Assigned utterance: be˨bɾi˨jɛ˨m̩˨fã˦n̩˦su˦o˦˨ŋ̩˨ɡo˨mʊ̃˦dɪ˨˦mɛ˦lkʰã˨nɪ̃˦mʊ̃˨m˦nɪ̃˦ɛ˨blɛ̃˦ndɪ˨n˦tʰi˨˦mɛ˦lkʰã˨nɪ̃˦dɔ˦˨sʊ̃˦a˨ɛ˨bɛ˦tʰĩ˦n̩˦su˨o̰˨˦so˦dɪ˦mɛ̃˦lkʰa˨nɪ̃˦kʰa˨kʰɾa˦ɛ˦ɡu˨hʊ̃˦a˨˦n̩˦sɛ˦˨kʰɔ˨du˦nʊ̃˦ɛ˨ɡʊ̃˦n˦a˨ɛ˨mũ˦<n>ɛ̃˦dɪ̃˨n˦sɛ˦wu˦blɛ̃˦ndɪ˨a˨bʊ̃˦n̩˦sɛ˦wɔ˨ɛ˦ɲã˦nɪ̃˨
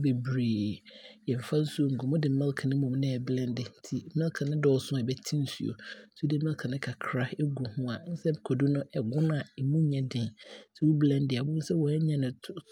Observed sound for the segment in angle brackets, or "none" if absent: ɲ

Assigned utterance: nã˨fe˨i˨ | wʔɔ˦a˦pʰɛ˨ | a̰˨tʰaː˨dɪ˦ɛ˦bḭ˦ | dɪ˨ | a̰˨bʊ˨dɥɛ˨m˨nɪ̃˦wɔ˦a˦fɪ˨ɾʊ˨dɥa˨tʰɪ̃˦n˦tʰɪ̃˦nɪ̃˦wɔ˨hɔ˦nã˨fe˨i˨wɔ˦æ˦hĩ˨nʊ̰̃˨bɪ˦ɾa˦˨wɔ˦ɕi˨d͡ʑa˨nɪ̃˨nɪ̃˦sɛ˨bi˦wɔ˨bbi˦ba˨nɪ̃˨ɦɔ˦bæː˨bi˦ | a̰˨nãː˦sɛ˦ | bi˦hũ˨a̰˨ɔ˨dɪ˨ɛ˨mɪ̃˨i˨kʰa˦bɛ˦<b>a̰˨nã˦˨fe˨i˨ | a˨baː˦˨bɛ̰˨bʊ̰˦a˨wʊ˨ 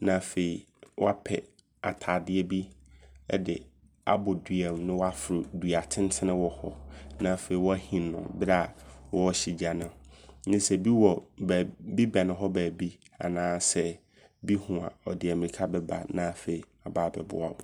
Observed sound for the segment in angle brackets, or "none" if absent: b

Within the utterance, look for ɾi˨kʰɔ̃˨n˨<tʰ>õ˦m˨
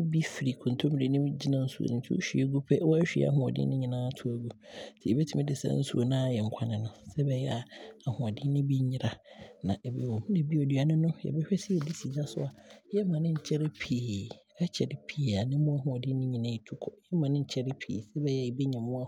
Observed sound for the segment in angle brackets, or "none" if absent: tʰ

